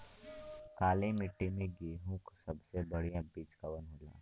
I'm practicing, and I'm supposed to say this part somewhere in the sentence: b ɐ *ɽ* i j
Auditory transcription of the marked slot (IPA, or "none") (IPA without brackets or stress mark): ɽ